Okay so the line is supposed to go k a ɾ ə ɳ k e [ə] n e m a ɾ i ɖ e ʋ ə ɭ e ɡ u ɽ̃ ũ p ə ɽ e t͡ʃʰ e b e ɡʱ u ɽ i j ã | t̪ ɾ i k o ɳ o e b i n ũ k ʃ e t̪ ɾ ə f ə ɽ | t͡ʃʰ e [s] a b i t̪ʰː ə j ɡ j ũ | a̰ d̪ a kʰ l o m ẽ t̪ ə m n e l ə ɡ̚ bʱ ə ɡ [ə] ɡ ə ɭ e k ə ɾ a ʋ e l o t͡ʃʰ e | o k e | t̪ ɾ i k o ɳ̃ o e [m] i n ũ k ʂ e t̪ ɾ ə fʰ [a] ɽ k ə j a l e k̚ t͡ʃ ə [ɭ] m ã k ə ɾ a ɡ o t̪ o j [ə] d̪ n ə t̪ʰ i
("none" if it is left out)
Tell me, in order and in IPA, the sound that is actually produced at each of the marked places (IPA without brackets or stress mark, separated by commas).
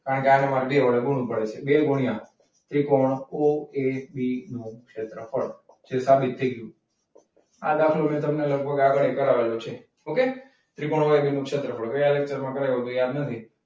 a, s, a, b, ə, ɾ, a